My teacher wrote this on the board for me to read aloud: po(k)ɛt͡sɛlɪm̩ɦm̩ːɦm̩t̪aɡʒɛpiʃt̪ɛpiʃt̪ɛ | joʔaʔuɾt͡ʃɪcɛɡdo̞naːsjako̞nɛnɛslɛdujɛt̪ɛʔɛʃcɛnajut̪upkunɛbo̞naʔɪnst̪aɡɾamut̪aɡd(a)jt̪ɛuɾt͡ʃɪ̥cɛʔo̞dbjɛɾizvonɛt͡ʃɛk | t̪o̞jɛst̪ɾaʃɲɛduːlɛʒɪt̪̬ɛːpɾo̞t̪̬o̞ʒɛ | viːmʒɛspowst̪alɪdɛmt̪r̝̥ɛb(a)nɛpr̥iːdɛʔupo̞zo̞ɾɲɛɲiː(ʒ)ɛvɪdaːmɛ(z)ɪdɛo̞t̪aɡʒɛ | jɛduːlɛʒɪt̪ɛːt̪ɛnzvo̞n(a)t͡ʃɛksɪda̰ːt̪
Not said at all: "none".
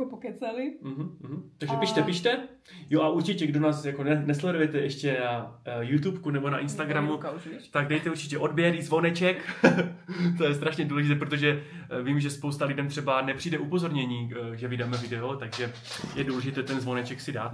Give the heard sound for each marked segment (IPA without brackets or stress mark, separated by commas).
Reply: k, ɛ, a, ʒ, v, ɛ